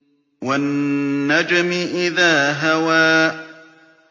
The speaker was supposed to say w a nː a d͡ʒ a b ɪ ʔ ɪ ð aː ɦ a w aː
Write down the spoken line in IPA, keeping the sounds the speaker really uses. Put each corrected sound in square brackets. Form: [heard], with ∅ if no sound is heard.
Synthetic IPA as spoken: w a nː a d͡ʒ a [m] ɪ ʔ ɪ ð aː ɦ a w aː